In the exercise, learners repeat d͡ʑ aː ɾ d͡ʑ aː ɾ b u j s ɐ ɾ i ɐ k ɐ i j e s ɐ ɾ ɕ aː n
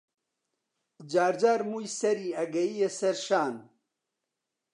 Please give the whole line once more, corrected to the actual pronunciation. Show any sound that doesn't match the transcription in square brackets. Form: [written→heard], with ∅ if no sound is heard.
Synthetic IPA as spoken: d͡ʑ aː ɾ d͡ʑ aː ɾ [b→m] u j s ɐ ɾ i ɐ [k→ɡ] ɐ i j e s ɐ ɾ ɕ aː n